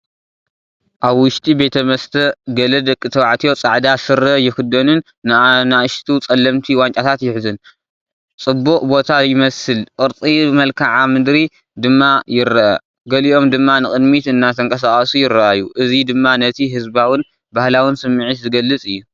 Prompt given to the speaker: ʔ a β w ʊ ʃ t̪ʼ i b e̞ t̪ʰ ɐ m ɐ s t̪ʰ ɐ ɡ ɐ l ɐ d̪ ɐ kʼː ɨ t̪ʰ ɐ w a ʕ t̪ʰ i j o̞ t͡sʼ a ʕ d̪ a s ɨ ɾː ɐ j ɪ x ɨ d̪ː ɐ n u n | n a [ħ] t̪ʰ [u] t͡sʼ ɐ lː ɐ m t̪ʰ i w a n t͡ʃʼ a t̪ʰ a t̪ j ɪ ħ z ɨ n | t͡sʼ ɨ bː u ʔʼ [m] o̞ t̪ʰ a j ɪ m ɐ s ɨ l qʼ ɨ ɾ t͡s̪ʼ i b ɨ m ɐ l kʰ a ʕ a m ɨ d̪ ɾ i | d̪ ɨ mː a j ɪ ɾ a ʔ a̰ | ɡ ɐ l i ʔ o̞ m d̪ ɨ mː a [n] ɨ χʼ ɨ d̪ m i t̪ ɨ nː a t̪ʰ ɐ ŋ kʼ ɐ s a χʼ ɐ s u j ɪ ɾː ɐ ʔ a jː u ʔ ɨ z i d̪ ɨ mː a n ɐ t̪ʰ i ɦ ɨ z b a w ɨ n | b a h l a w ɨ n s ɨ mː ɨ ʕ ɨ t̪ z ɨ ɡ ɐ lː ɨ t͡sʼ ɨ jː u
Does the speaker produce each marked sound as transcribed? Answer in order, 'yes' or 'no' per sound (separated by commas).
no, yes, no, yes